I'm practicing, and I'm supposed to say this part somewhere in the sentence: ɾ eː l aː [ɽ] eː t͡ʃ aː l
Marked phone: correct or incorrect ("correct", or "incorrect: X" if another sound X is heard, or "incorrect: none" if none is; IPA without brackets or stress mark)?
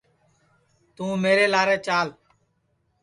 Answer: incorrect: ɾ